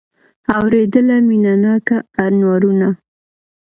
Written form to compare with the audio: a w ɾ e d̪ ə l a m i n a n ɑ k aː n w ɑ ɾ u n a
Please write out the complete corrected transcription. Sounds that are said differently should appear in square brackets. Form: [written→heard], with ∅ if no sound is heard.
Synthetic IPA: a w ɾ e d̪ ə l a m i n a n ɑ k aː n w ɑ ɾ u n a